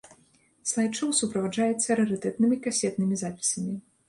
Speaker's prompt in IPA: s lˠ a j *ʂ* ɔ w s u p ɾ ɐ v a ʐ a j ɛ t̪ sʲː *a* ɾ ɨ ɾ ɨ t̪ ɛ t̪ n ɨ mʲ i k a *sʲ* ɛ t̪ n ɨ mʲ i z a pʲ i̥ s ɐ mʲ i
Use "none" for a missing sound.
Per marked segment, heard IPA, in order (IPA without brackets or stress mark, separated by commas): t͡ʂ, ɐ, sʲ